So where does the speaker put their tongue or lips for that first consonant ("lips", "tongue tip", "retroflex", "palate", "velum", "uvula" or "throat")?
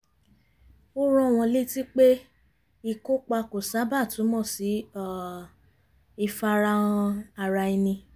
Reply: tongue tip